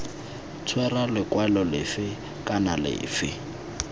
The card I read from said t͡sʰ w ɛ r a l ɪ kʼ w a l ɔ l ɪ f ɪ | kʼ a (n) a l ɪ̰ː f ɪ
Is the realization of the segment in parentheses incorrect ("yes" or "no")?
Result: no